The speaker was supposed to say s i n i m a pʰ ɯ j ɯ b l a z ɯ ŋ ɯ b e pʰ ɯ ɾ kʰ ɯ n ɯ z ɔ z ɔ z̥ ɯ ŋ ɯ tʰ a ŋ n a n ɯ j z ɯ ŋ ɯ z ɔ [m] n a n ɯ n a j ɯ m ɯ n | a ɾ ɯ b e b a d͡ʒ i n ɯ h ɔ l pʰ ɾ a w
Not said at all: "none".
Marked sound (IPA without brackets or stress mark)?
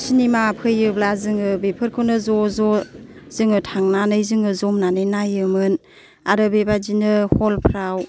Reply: m